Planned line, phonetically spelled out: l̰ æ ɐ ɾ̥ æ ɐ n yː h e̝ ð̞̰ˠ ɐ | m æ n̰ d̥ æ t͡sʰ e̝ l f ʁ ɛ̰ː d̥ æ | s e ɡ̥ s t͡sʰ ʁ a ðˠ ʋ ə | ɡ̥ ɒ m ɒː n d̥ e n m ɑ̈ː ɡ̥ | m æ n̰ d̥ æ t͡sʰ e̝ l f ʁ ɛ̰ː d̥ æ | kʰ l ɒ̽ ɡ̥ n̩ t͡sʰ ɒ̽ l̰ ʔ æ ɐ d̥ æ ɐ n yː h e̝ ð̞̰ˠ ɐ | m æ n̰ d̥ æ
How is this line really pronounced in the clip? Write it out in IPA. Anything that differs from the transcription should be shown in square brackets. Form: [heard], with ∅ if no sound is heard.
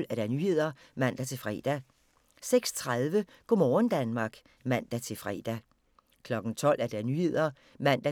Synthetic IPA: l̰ æ ɐ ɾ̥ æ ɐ n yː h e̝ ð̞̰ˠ ɐ | m æ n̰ d̥ æ t͡sʰ e̝ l f ʁ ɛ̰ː d̥ æ | s e ɡ̥ s t͡sʰ ʁ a ðˠ ʋ ə | ɡ̥ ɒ m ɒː n d̥ [æ] n m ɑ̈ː ɡ̥ | m æ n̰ d̥ æ t͡sʰ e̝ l f ʁ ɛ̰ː d̥ æ | kʰ l ɒ̽ ɡ̥ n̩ t͡sʰ ɒ̽ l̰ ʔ æ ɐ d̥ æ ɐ n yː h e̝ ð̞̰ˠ ɐ | m æ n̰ d̥ æ

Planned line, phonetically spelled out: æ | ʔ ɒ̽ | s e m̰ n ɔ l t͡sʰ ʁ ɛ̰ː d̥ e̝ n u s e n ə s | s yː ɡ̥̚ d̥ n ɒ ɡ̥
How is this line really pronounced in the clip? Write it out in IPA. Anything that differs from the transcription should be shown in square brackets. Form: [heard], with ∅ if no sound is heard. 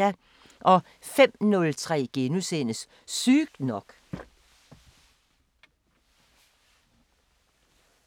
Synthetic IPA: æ | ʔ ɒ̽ | [f] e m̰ n ɔ l t͡sʰ ʁ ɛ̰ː [ɡ̥] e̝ n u s e n ə s | s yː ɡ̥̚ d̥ n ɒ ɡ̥

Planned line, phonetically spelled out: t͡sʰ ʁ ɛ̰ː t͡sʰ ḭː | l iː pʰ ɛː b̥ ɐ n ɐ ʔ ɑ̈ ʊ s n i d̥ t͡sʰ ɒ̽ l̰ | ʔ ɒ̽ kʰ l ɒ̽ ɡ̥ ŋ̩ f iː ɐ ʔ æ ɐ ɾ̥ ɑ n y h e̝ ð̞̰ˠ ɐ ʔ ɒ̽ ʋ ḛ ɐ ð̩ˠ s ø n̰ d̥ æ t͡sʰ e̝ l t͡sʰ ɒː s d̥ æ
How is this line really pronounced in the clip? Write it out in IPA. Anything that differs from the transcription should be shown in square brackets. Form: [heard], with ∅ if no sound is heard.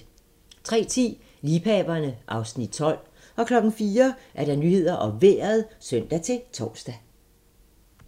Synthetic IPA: t͡sʰ ʁ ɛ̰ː t͡sʰ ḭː | l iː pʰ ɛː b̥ ɐ n [ə] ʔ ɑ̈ ʊ s n i d̥ t͡sʰ ɒ̽ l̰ | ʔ ɒ̽ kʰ l ɒ̽ ɡ̥ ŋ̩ f iː ɐ ʔ æ ɐ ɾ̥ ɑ n y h e̝ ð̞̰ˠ ɐ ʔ ɒ̽ ʋ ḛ ɐ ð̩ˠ s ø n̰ d̥ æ t͡sʰ e̝ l t͡sʰ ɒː s d̥ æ

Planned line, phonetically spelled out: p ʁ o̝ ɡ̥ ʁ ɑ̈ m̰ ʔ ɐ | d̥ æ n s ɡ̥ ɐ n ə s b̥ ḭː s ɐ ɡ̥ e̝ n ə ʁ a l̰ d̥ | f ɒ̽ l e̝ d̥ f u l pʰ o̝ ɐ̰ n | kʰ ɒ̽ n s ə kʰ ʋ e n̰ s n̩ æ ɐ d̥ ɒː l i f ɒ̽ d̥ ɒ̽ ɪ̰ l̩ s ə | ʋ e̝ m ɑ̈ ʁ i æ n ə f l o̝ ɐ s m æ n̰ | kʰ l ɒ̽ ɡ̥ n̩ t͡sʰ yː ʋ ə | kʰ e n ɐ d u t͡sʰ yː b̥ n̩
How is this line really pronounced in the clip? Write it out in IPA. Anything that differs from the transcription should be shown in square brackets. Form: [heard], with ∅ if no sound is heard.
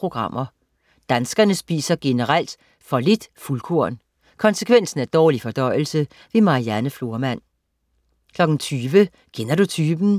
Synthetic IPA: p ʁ o̝ ɡ̥ ʁ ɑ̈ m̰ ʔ ɐ | d̥ æ n s ɡ̥ ɐ n ə s b̥ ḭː s ɐ ɡ̥ e̝ n ə ʁ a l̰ d̥ | f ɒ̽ l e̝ d̥ f u l [kʰ] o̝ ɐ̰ n | kʰ ɒ̽ n s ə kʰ ʋ e n̰ s n̩ æ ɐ d̥ ɒː l i f ɒ̽ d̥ ɒ̽ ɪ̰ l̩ s ə | ʋ e̝ m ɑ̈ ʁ i æ n ə f l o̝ ɐ [∅] m æ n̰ | kʰ l ɒ̽ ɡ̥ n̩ t͡sʰ yː ʋ ə | kʰ e n ɐ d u t͡sʰ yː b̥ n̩

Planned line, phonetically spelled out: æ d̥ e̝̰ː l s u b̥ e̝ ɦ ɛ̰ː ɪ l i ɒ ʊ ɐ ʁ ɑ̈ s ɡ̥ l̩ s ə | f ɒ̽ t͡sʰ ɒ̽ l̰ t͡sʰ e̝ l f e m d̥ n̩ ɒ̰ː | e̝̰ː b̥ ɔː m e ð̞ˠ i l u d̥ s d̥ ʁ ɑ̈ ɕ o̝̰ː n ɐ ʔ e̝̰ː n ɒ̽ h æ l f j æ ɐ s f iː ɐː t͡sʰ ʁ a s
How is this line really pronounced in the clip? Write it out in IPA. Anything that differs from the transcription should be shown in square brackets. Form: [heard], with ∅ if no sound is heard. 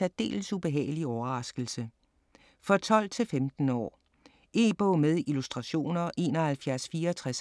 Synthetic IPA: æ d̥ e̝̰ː l s u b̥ e̝ ɦ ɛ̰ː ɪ l i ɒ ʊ ɐ ʁ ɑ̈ s ɡ̥ l̩ s ə | f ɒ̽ t͡sʰ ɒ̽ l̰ t͡sʰ e̝ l f e m d̥ n̩ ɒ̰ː | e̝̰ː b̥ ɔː m e ð̞ˠ i l u [∅] s d̥ ʁ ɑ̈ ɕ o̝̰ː n ɐ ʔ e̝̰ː n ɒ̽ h æ l f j æ ɐ s f iː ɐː t͡sʰ ʁ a s

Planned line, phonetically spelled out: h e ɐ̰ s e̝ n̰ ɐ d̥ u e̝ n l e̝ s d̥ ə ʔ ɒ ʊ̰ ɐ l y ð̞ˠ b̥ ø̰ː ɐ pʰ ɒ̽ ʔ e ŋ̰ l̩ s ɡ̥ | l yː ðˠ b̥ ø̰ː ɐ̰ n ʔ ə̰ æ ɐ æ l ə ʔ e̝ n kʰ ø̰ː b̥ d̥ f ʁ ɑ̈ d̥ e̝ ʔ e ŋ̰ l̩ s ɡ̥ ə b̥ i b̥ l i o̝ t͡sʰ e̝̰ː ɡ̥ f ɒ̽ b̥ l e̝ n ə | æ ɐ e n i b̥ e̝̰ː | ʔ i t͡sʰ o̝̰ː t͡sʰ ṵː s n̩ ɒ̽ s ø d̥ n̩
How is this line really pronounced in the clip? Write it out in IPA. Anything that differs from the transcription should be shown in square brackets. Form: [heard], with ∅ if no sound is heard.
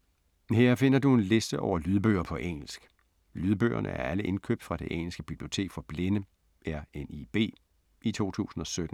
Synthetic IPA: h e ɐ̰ [f] e̝ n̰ ɐ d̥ u e̝ n l e̝ s d̥ ə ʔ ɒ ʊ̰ ɐ l y ð̞ˠ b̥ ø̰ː ɐ pʰ ɒ̽ ʔ e ŋ̰ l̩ s ɡ̥ | l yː ðˠ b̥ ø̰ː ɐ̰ n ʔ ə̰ æ ɐ æ l ə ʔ e̝ n kʰ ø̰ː b̥ d̥ f ʁ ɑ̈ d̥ e̝ ʔ e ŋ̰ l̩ s ɡ̥ ə b̥ i b̥ l i o̝ t͡sʰ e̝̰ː ɡ̥ f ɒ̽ b̥ l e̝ n ə | æ ɐ e n i b̥ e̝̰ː | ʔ i t͡sʰ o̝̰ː t͡sʰ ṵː s n̩ ɒ̽ s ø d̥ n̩

